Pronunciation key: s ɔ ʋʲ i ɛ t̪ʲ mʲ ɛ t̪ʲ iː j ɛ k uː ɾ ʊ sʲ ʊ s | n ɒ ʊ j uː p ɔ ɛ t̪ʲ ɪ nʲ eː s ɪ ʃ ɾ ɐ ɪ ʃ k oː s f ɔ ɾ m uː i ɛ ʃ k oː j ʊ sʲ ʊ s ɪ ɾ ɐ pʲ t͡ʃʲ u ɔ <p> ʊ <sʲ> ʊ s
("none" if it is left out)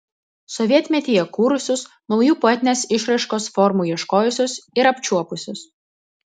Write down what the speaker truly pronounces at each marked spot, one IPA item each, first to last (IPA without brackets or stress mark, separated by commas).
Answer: p, sʲ